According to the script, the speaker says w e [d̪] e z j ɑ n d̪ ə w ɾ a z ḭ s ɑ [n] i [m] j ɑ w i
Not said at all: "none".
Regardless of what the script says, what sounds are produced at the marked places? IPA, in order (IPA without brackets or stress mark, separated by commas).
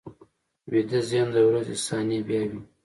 d̪, n, b